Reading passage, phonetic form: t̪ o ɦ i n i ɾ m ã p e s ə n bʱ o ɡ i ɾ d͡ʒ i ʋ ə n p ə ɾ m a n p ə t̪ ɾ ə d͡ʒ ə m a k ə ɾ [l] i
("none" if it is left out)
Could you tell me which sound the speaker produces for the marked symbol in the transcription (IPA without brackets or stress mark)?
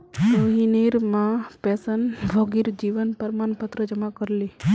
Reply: l